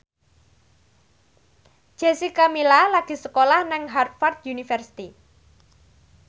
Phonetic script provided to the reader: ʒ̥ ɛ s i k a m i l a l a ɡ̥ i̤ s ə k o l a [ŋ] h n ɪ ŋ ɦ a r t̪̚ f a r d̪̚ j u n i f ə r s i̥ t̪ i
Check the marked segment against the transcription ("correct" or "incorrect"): incorrect